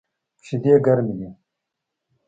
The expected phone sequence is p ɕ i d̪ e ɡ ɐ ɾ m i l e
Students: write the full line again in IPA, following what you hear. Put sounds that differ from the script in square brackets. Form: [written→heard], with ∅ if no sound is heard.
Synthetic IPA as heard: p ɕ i d̪ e ɡ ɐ ɾ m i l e